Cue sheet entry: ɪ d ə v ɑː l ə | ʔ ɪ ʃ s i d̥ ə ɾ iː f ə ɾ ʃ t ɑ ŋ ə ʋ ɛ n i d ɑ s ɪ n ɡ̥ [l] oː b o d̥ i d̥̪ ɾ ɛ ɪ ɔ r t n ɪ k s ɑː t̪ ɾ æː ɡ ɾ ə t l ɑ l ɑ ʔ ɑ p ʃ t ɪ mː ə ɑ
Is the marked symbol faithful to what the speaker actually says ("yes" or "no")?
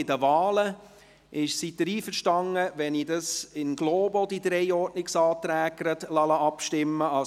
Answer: yes